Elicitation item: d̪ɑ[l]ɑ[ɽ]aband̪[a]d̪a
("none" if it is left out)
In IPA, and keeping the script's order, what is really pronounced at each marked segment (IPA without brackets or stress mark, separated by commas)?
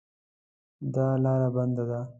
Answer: l, ɾ, a